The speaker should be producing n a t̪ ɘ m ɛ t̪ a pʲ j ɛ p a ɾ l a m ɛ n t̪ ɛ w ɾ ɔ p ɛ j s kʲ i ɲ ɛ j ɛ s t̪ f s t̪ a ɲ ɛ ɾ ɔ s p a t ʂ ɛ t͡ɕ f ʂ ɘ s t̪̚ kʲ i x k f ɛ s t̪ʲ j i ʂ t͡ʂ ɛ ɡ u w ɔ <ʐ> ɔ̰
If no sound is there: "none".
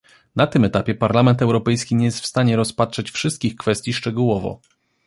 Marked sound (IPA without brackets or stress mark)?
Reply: v